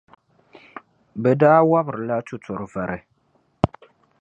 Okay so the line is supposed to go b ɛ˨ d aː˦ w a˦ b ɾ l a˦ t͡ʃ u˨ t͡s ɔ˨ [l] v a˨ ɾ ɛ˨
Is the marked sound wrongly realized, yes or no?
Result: yes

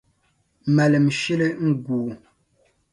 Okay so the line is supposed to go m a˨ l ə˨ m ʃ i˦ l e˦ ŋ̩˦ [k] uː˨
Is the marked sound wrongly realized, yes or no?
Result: yes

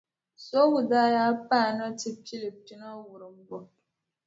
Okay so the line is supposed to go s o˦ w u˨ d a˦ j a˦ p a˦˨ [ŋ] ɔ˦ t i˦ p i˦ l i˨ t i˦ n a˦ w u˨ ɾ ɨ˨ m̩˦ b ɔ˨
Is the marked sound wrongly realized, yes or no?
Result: yes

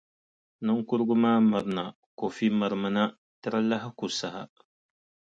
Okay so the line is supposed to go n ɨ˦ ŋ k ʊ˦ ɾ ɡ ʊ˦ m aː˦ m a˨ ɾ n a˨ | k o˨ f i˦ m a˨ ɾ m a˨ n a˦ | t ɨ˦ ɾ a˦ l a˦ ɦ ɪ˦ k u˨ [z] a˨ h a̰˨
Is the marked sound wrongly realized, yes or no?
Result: yes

